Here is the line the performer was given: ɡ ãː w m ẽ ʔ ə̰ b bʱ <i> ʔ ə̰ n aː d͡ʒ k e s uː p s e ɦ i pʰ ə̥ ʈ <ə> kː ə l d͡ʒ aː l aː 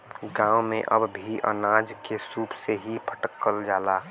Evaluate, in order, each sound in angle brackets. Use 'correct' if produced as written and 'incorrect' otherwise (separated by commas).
correct, correct